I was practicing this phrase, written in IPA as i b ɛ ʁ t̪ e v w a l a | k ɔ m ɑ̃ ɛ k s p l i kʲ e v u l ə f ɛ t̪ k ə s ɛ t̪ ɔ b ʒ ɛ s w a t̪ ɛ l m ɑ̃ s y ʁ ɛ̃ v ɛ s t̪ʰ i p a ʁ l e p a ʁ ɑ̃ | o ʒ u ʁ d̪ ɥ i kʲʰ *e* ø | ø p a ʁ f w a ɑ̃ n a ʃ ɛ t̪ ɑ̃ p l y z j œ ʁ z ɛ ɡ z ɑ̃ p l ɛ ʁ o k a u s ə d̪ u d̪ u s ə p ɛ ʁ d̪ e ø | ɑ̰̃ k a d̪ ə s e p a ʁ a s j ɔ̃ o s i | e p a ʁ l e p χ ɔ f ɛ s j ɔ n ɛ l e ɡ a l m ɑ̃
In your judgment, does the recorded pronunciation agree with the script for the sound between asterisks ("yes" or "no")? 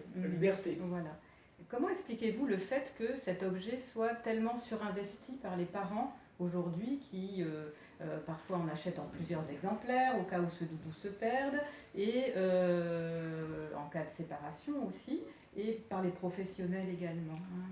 no